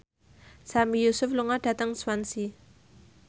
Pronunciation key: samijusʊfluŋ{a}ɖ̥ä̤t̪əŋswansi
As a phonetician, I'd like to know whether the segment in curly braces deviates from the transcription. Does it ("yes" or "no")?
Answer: no